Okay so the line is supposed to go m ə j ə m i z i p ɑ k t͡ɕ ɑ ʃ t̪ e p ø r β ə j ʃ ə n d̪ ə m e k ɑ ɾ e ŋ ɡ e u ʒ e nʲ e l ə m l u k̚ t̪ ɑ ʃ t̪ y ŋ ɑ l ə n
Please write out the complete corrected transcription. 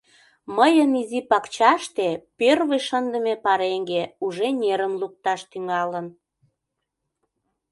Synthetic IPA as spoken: m ə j ə n i z i p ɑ k t͡ɕ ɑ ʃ t̪ e p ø r β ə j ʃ ə n d̪ ə m e p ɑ ɾ e ŋ ɡ e u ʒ e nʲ e ɾ ə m l u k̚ t̪ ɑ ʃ t̪ y ŋ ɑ l ə n